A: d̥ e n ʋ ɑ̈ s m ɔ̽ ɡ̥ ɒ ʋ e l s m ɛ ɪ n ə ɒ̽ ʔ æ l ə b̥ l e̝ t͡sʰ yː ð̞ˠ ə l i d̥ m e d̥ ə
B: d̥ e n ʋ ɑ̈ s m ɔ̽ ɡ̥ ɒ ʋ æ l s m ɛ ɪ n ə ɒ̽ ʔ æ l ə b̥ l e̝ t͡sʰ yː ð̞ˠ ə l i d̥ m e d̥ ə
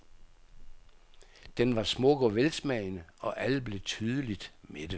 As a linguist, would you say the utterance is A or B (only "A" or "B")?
A